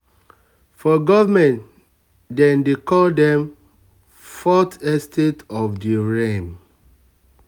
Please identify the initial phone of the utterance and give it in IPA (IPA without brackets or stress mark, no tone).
f